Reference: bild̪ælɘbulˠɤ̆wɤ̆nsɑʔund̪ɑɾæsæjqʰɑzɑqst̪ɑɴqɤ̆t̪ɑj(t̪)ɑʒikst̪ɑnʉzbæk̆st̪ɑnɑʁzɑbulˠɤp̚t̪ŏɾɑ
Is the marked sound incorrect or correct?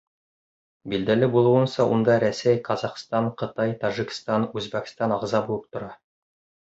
correct